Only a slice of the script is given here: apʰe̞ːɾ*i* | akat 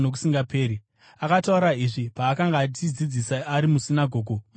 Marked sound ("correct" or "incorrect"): correct